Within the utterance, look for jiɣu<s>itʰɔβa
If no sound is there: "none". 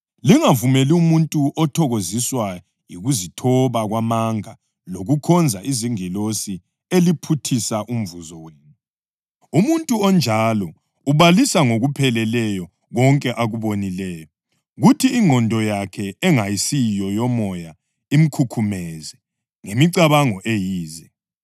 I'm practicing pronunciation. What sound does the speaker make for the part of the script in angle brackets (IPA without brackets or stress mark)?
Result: z